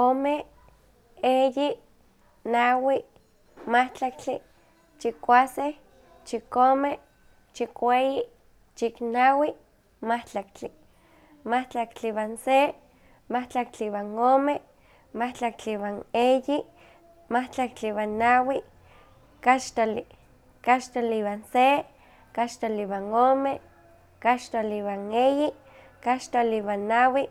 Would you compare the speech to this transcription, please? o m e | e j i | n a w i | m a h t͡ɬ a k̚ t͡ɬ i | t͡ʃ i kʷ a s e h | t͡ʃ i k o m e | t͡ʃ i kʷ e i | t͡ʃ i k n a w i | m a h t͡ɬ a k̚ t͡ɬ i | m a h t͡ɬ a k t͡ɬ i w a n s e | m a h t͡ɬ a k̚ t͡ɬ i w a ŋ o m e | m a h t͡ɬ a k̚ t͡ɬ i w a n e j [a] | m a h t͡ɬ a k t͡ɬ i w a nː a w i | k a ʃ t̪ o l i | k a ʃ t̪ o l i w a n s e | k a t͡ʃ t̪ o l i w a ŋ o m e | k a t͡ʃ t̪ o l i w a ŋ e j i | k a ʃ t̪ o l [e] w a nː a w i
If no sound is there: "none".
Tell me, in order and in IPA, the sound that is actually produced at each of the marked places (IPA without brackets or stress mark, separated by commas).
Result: i, i